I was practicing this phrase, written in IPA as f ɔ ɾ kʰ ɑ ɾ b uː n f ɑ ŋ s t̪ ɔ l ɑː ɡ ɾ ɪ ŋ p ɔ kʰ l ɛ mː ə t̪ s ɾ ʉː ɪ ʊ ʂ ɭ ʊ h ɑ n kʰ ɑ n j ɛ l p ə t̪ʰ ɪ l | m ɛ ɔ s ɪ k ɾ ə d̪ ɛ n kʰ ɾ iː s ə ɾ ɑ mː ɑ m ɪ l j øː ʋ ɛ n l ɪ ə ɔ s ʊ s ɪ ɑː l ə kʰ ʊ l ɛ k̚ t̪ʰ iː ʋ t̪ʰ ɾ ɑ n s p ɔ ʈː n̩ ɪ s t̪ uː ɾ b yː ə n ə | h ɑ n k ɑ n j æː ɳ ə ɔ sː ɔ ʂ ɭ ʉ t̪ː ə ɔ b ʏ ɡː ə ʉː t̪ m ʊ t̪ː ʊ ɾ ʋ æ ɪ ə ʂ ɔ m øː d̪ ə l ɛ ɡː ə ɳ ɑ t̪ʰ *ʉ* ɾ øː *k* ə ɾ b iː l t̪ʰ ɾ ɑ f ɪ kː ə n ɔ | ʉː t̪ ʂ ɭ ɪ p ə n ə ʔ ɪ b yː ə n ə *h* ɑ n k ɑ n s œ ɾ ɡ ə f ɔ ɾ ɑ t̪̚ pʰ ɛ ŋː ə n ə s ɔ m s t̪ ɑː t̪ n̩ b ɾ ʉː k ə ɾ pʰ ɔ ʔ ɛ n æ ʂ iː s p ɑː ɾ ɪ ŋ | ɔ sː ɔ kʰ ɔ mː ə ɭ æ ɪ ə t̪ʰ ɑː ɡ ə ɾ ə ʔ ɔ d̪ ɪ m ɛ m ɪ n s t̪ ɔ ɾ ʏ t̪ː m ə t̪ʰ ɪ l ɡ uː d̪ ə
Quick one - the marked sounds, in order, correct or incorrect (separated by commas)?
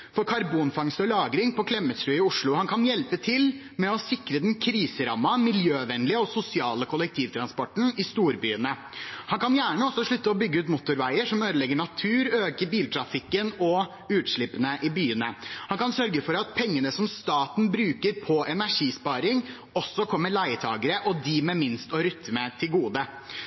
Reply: incorrect, correct, correct